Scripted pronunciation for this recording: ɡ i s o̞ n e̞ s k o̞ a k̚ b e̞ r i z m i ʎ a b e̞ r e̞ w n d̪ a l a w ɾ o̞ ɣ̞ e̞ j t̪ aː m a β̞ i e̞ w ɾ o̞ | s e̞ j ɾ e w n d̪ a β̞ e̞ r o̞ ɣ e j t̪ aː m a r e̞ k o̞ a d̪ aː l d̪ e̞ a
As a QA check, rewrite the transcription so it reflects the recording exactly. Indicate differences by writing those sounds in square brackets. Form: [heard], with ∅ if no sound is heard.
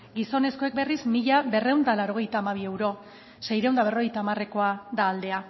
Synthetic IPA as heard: ɡ i s o̞ n e̞ s k o̞ [e] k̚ b e̞ r i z m i ʎ a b e̞ r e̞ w n d̪ a l a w ɾ o̞ ɣ̞ e̞ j t̪ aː m a β̞ i e̞ w ɾ o̞ | s e̞ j ɾ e w n d̪ a β̞ e̞ r o̞ ɣ e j t̪ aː m a r e̞ k o̞ a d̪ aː l d̪ e̞ a